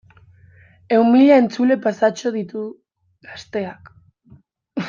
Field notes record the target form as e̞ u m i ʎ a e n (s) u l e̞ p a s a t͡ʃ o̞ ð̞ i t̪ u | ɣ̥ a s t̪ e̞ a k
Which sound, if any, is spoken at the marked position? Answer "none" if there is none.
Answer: t͡s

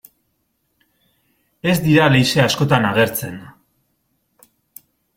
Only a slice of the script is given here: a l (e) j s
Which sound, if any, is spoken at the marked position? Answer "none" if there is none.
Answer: e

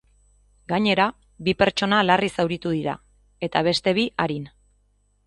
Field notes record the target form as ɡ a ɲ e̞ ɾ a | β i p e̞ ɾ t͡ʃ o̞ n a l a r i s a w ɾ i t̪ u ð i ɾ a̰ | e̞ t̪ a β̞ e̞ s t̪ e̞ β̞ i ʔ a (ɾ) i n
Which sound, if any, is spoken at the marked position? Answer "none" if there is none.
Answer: ɾ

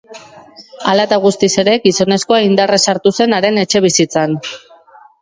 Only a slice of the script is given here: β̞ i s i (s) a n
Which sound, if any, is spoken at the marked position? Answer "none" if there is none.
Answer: t͡s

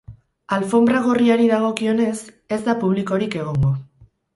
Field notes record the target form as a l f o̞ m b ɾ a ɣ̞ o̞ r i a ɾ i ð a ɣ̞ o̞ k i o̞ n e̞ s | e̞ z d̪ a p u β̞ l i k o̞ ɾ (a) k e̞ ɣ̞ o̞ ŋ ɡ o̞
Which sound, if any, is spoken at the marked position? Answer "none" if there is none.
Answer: i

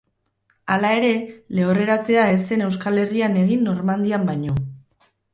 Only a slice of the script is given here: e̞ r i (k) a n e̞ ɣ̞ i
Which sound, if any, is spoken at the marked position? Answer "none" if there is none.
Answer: none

